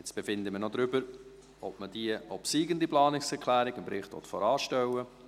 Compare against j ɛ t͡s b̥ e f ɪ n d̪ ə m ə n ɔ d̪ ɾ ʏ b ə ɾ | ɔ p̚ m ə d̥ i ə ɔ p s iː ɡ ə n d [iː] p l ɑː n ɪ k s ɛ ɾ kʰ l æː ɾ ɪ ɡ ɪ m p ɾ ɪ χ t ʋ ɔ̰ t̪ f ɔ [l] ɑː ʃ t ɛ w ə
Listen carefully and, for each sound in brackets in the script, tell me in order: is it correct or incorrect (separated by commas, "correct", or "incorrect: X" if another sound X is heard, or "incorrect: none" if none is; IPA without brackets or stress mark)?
incorrect: i, incorrect: ɾ